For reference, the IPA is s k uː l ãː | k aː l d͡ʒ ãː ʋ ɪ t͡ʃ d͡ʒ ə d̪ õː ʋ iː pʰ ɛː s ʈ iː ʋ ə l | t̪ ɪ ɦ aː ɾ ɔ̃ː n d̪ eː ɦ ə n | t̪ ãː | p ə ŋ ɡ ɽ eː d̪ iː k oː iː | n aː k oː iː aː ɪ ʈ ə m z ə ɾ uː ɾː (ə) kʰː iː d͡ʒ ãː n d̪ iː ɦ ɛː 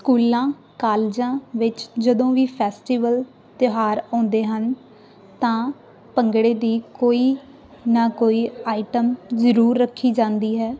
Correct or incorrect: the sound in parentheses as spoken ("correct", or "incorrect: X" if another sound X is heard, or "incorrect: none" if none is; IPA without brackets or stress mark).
correct